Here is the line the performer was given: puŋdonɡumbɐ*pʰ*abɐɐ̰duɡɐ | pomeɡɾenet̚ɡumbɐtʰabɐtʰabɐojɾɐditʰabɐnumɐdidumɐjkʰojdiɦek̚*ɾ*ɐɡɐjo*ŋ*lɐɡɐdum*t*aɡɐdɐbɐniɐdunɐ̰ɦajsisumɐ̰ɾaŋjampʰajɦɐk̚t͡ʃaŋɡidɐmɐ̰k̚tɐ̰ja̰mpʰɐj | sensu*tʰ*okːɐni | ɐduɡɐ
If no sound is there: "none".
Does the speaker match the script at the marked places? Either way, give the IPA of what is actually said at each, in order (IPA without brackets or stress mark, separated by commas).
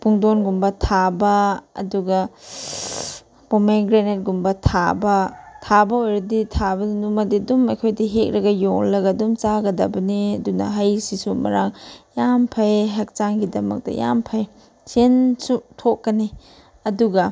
tʰ, ɾ, ŋ, t͡ʃ, tʰ